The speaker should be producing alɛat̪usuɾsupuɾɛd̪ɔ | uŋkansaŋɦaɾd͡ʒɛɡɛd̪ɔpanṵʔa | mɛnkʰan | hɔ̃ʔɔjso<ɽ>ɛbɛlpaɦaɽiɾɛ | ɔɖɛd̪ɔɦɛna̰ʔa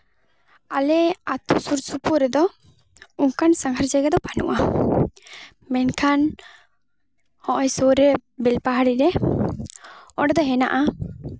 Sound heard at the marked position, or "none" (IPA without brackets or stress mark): ɾ